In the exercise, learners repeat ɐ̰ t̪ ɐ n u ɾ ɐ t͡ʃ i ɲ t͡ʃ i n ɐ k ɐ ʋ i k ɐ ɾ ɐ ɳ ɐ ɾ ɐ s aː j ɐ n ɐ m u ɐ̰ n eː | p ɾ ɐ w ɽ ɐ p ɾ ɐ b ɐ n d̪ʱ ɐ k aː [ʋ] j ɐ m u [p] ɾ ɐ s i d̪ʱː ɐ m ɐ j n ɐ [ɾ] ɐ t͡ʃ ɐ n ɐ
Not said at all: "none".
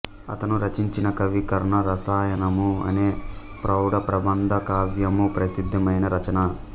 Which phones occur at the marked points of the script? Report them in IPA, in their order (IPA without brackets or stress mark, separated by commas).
ʋ, p, ɾ